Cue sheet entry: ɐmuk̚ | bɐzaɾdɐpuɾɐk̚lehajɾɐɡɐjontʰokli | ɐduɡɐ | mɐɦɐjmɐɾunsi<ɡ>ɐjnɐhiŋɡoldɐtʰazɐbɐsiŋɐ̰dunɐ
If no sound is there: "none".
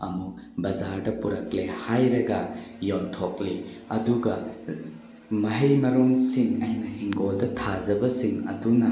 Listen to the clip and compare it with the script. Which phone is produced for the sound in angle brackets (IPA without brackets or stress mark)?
ŋ